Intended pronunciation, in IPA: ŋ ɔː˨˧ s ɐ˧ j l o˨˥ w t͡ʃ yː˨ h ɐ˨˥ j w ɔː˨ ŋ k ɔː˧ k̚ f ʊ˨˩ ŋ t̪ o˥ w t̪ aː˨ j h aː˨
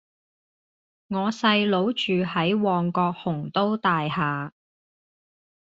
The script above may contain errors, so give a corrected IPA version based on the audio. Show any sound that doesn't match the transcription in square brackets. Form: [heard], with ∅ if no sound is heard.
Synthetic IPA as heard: ŋ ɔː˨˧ s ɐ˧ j l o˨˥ w t͡ʃ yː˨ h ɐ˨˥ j w ɔː˨ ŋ k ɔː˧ k̚ [h] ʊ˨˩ ŋ t̪ o˥ w t̪ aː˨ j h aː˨